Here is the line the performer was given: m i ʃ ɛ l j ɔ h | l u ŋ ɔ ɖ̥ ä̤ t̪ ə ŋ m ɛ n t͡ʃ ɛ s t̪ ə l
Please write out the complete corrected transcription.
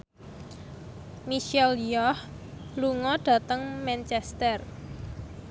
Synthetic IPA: m i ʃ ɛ l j ɔ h | l u ŋ ɔ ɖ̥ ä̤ t̪ ə ŋ m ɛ n t͡ʃ ɛ s t̪ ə r